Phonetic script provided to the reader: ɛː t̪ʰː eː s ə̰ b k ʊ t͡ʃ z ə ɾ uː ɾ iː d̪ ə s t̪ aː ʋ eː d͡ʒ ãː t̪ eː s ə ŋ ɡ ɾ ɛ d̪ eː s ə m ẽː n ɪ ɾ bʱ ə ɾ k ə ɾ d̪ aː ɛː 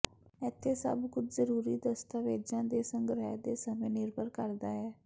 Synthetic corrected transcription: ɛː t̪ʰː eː s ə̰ b k ʊ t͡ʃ z ə ɾ uː ɾ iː d̪ ə s t̪ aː ʋ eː d͡ʒ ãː d̪ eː s ə ŋ ɡ ɾ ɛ d̪ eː s ə m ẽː n ɪ ɾ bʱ ə ɾ k ə ɾ d̪ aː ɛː